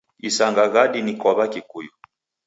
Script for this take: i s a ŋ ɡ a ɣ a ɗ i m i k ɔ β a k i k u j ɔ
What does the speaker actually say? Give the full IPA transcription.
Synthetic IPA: i s a ŋ ɡ a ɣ a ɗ i n i k ɔ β a k i k u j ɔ